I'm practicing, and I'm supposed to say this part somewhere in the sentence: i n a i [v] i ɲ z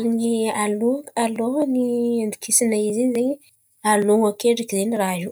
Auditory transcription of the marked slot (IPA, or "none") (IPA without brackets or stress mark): z